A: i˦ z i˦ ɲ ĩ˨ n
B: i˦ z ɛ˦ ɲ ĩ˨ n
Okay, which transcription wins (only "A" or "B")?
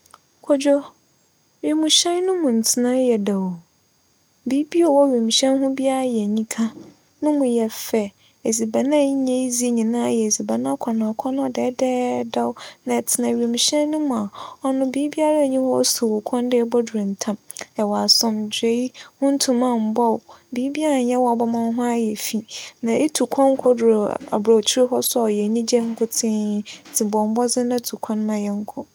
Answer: A